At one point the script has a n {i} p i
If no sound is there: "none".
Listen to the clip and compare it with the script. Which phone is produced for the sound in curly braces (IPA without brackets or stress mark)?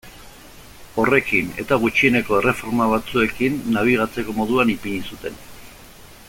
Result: i